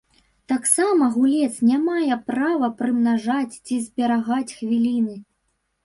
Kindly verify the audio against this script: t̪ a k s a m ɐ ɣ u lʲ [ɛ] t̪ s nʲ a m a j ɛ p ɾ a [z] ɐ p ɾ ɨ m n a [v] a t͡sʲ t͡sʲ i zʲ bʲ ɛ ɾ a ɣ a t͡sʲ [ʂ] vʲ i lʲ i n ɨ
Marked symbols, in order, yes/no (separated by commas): yes, no, no, no